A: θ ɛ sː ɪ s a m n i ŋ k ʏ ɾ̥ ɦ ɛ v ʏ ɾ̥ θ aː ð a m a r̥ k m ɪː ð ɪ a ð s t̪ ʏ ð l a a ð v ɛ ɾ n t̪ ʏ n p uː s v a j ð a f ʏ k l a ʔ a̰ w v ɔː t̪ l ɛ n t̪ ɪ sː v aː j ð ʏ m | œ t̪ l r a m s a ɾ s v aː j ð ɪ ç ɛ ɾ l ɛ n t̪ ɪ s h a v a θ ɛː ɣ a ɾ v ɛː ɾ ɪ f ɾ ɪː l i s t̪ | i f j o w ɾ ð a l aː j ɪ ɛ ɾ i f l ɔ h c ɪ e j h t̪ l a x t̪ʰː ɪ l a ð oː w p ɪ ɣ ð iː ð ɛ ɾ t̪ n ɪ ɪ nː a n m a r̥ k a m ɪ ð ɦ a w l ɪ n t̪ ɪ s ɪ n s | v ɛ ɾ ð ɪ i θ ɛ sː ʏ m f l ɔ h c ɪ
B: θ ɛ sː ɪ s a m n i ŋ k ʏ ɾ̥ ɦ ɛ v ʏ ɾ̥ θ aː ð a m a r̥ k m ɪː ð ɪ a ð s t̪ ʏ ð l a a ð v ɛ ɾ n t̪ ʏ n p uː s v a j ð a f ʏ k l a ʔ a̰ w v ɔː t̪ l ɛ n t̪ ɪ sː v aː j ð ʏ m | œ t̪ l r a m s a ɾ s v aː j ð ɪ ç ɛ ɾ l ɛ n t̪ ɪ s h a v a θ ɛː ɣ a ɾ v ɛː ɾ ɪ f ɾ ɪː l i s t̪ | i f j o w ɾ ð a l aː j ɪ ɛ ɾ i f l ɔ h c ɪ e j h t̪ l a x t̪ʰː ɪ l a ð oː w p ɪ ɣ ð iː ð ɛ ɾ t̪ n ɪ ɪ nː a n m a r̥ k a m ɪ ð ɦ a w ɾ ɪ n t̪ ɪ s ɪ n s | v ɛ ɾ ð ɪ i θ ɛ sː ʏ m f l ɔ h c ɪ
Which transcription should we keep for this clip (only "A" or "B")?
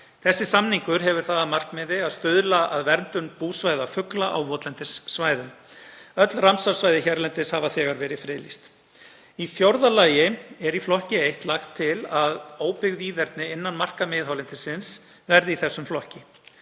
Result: A